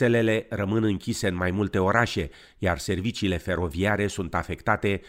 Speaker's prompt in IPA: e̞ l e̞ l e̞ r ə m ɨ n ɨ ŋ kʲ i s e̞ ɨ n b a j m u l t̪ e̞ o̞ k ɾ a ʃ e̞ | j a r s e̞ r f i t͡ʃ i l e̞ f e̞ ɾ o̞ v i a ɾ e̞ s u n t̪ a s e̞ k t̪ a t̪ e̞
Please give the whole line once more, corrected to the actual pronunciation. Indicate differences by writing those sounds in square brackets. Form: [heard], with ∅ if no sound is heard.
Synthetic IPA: e̞ l e̞ l e̞ r ə m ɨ n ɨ ŋ kʲ i s e̞ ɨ n [m] a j m u l t̪ e̞ o̞ [∅] ɾ a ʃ e̞ | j a r s e̞ r [v] i t͡ʃ [iː] l e̞ f e̞ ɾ o̞ v i a ɾ e̞ s u n t̪ a [f] e̞ k t̪ a t̪ e̞